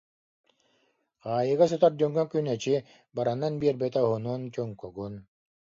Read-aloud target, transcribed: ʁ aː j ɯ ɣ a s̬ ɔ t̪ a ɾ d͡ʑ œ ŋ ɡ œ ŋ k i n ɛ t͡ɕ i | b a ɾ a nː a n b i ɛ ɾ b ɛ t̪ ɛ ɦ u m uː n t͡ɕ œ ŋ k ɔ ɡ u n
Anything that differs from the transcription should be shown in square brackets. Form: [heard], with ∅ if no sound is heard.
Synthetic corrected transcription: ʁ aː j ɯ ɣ a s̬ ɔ t̪ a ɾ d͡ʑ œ ŋ ɡ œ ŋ k [y] n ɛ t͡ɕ i | b a ɾ a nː a n b i ɛ ɾ b ɛ t̪ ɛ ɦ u [n] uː n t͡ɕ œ ŋ k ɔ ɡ u n